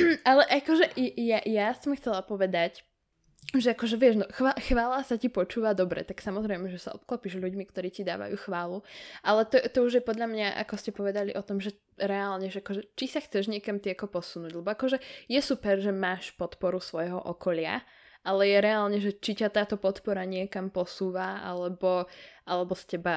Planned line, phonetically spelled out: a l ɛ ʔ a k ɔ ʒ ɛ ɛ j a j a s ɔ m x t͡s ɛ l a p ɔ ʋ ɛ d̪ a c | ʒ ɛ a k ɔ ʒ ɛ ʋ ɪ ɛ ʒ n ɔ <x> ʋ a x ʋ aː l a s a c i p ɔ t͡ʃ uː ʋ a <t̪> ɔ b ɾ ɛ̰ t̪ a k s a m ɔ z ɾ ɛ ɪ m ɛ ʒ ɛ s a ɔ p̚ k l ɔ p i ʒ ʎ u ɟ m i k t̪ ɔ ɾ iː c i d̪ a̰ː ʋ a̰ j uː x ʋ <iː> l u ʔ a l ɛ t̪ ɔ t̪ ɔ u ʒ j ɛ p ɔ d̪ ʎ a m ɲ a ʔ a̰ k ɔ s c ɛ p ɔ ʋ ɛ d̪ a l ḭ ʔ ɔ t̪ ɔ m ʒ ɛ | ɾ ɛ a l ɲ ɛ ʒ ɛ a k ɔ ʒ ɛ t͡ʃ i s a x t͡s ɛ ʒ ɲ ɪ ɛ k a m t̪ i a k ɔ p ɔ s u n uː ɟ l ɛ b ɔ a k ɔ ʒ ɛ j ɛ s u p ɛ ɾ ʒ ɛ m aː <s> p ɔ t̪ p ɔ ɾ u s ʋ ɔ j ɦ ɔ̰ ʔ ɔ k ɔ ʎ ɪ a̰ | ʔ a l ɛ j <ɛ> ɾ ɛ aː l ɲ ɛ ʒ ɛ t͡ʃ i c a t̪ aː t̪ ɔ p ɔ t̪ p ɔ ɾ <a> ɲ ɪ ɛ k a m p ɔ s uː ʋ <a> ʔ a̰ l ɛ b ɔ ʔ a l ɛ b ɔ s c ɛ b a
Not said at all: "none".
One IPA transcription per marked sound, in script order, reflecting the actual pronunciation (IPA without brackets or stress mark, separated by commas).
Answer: x, d̪, aː, ʃ, ɛ, a, a